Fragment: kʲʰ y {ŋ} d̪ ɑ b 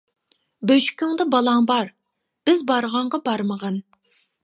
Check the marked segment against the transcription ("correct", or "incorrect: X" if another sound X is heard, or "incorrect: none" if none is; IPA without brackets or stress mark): correct